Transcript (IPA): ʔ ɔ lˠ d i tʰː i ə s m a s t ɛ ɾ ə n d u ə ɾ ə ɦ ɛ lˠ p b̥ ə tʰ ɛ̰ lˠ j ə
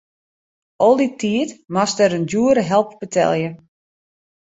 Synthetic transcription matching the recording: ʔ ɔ lˠ d i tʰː i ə t m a s t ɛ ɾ ə n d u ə ɾ ə ɦ ɛ lˠ p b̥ ə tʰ ɛ̰ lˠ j ə